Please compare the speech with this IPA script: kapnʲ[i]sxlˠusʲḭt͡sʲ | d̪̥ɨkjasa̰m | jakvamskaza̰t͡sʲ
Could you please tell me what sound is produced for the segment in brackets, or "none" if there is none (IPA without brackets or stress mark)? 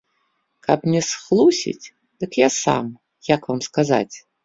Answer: ɛ